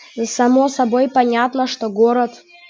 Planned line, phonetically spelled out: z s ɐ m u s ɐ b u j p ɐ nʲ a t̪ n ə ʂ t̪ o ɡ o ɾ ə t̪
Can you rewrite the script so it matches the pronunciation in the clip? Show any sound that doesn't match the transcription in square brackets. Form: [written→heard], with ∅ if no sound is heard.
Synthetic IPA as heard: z s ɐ m [u→o] s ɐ b [u→o] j p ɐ nʲ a t̪ n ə ʂ t̪ o ɡ o ɾ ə t̪